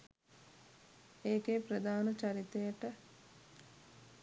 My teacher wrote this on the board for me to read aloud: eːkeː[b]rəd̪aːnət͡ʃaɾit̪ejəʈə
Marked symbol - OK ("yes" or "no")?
no